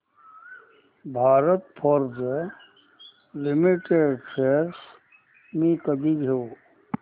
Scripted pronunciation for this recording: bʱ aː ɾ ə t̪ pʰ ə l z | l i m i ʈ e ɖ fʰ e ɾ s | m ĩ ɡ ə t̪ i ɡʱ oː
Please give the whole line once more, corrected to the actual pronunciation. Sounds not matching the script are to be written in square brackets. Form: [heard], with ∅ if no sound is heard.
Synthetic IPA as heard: bʱ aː ɾ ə t̪ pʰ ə [ɾ] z | l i m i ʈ e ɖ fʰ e ɾ s | m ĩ [k] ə [d̪] i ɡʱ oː